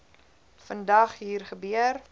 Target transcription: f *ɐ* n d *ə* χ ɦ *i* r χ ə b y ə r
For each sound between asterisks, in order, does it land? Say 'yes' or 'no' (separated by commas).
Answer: no, no, no